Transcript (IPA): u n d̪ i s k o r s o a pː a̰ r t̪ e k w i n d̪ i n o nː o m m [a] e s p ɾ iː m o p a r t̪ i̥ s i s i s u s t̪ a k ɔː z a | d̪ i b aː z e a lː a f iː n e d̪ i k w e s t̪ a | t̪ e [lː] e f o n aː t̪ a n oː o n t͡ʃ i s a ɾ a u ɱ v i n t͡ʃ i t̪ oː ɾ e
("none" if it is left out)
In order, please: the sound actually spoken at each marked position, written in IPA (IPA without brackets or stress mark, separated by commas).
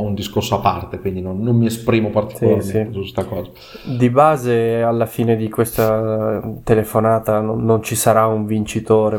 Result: i, l